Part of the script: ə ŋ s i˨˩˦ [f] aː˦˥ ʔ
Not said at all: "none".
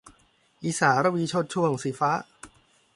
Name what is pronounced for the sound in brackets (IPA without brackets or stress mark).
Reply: f